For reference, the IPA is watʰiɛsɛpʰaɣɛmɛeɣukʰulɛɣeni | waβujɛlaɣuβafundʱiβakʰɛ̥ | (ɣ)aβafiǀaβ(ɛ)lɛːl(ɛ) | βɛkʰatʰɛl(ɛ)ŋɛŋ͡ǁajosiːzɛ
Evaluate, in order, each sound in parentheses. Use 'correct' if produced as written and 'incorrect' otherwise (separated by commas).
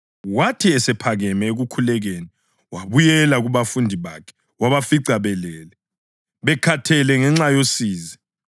incorrect, correct, correct, correct